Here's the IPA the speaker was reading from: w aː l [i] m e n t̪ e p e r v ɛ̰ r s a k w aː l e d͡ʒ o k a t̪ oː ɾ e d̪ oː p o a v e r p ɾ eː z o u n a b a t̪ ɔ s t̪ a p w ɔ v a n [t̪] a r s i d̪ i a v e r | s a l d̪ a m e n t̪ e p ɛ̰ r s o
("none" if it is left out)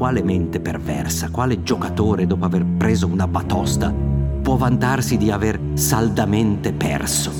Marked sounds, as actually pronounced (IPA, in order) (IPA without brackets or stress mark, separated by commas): e, t̪